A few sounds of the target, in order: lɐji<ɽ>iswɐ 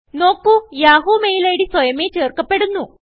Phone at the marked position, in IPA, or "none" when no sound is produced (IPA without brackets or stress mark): ɽ